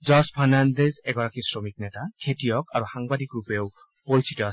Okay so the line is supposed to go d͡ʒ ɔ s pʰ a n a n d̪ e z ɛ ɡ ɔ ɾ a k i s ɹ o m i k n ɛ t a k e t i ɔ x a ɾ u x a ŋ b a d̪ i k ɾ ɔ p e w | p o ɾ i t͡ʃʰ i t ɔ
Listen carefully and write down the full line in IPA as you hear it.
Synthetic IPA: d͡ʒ ɔ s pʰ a n a n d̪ e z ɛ ɡ ɔ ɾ a k i s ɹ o m i k n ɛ t a kʰ e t i ɔ k a ɾ u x a ŋ b a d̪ i k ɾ u p e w | p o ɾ i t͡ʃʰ i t ɔ